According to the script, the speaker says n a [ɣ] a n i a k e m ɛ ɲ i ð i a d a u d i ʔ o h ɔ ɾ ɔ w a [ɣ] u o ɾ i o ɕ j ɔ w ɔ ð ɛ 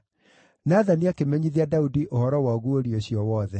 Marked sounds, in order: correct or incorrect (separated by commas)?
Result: incorrect, correct